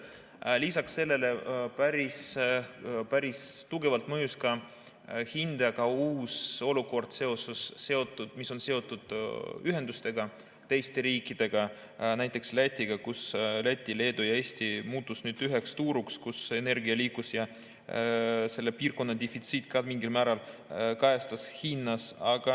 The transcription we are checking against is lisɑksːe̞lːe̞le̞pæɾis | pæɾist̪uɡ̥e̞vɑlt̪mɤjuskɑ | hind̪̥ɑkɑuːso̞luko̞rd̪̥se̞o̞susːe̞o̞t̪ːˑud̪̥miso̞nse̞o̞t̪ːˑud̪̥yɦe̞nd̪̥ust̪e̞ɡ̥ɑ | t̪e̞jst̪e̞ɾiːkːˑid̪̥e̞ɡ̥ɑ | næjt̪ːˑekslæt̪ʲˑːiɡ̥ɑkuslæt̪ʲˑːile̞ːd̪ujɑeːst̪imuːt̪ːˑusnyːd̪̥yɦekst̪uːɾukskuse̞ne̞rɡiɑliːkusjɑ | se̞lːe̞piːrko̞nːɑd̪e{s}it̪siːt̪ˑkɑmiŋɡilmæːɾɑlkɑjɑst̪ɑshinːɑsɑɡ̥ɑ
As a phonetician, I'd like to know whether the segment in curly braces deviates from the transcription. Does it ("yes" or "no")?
yes